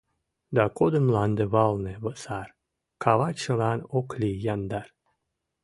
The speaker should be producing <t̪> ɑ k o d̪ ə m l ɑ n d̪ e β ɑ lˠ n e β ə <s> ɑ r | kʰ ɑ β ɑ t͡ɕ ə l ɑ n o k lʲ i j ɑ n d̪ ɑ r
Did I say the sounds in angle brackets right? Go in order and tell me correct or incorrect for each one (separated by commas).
incorrect, correct